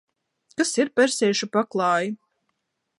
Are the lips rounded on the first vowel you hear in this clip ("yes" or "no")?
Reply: no